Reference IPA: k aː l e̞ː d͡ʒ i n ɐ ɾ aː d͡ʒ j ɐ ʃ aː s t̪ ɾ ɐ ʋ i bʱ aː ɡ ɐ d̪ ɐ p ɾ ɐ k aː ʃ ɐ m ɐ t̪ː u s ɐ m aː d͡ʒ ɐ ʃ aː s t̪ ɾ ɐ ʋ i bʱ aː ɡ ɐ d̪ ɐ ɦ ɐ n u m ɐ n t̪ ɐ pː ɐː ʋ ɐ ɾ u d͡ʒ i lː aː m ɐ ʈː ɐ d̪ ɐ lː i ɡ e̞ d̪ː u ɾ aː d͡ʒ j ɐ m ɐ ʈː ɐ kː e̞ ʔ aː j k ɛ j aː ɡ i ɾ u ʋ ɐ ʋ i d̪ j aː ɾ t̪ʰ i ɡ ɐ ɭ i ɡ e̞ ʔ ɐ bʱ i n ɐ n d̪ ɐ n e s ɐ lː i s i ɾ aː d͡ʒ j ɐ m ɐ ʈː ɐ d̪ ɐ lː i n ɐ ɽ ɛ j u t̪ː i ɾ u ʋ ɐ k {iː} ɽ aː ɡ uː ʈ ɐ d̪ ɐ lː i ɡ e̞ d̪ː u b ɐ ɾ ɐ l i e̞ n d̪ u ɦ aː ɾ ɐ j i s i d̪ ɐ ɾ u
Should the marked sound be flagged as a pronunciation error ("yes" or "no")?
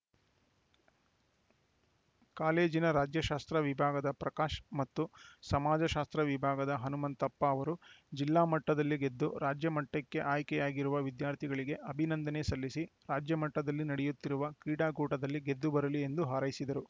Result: no